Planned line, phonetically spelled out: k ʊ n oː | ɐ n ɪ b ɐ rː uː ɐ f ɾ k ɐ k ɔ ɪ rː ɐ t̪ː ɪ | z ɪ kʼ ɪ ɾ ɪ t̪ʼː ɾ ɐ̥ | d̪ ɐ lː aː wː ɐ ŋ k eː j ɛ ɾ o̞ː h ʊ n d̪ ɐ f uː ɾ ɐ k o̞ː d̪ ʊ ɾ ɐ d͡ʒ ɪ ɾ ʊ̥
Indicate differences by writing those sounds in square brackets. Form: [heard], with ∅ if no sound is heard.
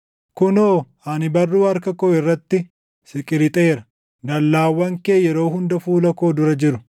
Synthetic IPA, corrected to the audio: k ʊ n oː | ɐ n ɪ b ɐ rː uː ɐ [∅] ɾ k ɐ k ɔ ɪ rː ɐ t̪ː ɪ | [s] ɪ kʼ ɪ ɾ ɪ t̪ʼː ɾ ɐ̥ | d̪ ɐ lː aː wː ɐ ŋ k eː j ɛ ɾ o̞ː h ʊ n d̪ ɐ f uː [l] ɐ k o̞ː d̪ ʊ ɾ ɐ d͡ʒ ɪ ɾ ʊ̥